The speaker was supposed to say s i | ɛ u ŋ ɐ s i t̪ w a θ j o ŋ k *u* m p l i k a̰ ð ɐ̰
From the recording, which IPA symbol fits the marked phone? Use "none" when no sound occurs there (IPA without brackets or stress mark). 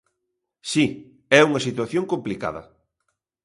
o